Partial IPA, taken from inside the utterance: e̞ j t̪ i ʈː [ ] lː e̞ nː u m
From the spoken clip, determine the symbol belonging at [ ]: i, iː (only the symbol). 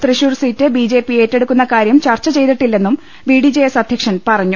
i